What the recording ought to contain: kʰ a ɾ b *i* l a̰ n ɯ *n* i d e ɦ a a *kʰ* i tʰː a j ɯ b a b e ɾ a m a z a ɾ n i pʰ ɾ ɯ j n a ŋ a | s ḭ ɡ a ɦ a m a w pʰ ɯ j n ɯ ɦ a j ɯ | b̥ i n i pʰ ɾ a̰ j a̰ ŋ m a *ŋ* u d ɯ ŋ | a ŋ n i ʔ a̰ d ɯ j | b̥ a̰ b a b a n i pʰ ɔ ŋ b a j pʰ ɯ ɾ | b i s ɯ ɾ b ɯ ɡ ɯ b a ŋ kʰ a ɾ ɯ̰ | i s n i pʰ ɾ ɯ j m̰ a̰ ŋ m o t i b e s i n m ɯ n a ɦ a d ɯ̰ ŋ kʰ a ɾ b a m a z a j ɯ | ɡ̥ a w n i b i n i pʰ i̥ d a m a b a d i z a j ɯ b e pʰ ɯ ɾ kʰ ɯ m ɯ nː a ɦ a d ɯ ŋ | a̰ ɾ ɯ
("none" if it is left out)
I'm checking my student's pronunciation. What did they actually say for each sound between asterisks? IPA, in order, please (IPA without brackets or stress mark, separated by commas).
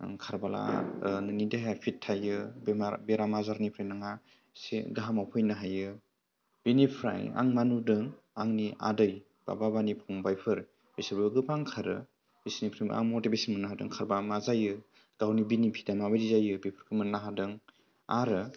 a, n, pʰ, n